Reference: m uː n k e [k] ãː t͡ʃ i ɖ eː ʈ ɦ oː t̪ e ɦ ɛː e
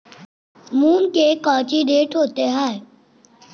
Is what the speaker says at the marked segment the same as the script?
yes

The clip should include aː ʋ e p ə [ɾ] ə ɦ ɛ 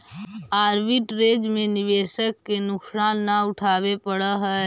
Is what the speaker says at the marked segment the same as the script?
no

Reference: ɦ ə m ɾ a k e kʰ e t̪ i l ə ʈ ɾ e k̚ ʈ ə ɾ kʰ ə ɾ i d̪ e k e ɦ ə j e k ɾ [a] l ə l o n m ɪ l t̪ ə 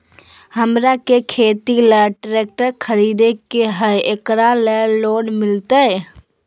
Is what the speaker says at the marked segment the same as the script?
yes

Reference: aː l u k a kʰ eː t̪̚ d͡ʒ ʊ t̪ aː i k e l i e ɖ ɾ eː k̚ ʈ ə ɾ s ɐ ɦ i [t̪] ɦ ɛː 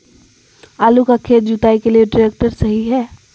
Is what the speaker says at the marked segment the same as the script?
no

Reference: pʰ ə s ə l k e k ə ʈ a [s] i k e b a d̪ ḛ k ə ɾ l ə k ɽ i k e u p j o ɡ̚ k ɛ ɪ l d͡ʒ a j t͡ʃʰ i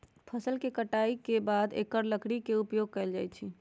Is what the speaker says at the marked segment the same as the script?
no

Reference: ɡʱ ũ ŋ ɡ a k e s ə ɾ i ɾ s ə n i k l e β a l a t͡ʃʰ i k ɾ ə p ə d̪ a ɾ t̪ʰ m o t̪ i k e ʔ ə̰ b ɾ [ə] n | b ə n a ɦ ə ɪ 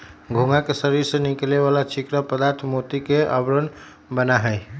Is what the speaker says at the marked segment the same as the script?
yes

